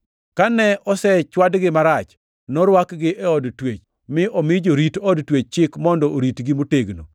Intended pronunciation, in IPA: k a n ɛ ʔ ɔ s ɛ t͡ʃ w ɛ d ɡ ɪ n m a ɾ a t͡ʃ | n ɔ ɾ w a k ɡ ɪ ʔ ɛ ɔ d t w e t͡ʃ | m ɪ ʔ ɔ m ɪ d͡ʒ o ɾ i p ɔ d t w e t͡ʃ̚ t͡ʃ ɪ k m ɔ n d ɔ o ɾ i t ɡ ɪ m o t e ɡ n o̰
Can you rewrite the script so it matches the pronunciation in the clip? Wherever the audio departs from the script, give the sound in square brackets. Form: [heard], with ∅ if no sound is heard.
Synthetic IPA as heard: k a n ɛ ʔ ɔ s ɛ t͡ʃ w [a] d ɡ ɪ [∅] m a ɾ a t͡ʃ | n ɔ ɾ w a k ɡ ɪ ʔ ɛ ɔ d t w e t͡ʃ | m ɪ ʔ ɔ m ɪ d͡ʒ o ɾ i [t] ɔ d t w e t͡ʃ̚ t͡ʃ ɪ k m ɔ n d ɔ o ɾ i t ɡ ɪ m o t e ɡ n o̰